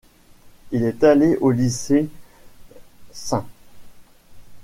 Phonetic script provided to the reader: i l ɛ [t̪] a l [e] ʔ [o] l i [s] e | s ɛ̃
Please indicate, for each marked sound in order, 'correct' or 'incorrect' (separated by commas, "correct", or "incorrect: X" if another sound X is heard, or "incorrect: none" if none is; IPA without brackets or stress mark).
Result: correct, correct, correct, correct